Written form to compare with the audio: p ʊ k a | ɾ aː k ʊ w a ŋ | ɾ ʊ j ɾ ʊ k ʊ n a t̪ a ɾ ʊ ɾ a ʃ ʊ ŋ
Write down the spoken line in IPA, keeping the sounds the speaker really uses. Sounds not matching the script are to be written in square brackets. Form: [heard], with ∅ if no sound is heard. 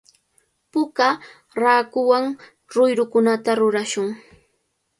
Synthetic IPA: p ʊ k a | ɾ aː k ʊ w a ŋ | ɾ ʊ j ɾ ʊ k ʊ n a t̪ a ɾ ʊ ɾ a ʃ ʊ ŋ